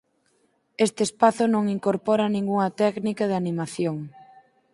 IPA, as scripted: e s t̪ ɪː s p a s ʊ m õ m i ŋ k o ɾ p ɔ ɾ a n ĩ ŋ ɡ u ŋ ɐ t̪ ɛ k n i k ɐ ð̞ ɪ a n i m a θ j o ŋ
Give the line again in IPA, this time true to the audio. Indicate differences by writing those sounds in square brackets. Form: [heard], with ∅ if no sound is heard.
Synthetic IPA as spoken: e s t̪ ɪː s p a [θ] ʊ [n] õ [ŋ] i ŋ k o ɾ p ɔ ɾ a n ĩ ŋ ɡ u ŋ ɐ t̪ ɛ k n i k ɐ ð̞ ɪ a n i m a θ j o ŋ